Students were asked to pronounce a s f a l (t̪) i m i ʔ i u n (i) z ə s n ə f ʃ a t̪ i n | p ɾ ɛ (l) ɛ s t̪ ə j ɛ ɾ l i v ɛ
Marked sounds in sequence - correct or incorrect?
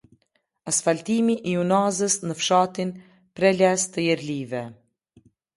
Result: correct, incorrect: a, correct

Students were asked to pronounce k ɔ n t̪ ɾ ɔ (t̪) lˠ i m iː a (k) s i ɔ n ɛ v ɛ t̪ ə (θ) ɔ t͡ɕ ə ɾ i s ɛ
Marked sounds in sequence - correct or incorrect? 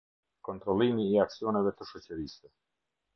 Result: incorrect: none, correct, incorrect: ʃ

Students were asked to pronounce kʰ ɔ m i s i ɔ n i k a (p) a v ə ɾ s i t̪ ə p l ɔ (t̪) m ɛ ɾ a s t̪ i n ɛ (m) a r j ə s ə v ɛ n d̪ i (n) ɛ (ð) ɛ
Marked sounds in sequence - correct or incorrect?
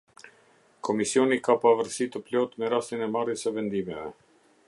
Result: correct, correct, correct, incorrect: m, incorrect: v

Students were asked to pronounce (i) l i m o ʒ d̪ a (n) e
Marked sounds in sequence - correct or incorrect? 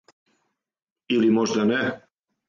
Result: correct, correct

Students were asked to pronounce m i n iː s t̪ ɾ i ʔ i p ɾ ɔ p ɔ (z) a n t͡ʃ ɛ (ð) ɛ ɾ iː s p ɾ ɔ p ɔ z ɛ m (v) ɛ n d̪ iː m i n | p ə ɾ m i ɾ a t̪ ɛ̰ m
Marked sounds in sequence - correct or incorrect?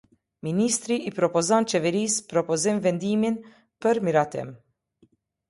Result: correct, incorrect: v, correct

